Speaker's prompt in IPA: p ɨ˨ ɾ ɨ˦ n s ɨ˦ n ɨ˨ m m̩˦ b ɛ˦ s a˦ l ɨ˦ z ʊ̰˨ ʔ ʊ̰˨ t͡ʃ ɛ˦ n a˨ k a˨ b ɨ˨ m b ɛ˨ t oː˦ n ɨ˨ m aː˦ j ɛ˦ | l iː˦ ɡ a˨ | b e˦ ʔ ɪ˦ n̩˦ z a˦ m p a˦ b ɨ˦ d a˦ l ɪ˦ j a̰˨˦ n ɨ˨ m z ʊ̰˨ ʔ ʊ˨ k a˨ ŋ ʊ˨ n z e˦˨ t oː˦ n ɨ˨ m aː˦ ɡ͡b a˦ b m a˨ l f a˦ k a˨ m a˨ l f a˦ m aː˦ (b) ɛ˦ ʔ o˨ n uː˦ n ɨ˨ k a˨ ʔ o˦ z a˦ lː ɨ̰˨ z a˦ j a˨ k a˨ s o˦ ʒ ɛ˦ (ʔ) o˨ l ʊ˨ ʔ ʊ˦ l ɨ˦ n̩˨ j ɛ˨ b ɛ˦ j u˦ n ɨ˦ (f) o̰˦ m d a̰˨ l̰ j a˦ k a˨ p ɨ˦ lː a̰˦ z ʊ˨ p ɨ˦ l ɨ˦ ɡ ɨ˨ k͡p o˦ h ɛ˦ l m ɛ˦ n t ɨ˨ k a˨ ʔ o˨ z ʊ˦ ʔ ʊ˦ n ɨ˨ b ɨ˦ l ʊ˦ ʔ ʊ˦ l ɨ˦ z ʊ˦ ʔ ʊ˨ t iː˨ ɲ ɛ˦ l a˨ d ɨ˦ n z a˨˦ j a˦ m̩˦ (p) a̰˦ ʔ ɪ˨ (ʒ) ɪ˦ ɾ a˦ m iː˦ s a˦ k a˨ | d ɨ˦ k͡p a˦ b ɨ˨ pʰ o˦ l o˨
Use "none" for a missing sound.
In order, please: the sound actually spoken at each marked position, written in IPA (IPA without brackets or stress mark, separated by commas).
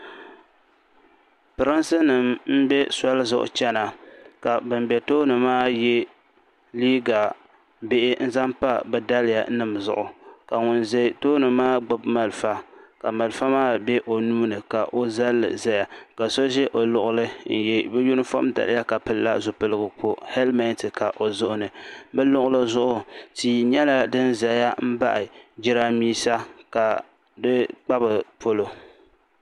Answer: b, ʔ, f, b, d͡ʒ